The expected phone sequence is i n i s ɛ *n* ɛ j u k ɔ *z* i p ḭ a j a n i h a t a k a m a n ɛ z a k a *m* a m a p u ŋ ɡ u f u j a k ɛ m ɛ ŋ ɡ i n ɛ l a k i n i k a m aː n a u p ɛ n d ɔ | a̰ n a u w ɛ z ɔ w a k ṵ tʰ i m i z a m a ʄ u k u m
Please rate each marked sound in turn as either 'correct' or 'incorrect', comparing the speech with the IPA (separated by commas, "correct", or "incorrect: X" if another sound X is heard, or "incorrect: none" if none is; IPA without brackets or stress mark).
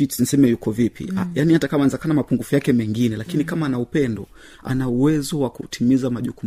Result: incorrect: m, incorrect: v, incorrect: n